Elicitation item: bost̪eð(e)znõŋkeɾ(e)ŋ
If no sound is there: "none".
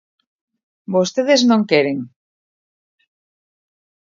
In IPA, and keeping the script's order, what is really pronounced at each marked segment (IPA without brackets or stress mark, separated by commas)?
e, e